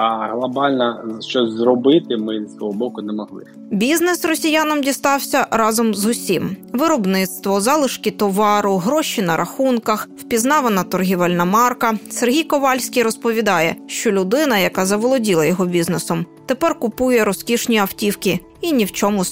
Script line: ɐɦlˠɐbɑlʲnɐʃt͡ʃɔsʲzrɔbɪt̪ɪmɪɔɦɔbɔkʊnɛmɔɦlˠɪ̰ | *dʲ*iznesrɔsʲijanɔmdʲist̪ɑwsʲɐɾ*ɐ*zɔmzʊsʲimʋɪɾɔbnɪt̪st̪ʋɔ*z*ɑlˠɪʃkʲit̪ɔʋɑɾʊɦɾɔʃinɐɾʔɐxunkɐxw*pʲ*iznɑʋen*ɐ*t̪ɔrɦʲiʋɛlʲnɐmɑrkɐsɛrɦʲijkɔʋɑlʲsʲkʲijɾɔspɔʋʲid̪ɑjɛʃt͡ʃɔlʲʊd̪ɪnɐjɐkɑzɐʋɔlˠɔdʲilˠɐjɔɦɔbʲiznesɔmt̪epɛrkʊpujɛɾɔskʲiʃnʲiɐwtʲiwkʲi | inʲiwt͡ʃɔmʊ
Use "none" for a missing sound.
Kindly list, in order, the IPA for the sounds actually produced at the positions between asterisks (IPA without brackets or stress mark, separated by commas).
bʲ, ɑ, z, pʲ, ɐ